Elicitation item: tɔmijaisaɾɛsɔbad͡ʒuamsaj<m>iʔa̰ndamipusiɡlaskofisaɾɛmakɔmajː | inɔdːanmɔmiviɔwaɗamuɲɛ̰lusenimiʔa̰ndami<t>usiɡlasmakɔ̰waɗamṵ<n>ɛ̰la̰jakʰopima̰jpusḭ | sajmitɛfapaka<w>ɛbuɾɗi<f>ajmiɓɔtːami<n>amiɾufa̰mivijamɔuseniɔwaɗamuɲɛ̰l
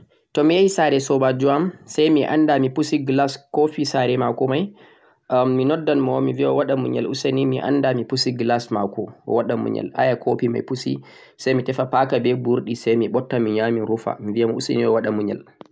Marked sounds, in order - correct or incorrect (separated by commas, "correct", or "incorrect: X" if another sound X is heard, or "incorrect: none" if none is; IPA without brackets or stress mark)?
correct, incorrect: p, incorrect: ɲ, incorrect: b, incorrect: s, incorrect: ɲ